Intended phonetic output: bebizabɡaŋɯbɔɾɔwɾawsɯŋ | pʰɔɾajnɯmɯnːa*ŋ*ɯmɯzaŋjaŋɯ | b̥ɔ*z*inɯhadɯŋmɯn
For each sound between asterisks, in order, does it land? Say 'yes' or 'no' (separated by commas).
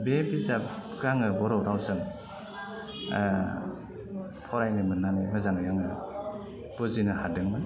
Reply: no, yes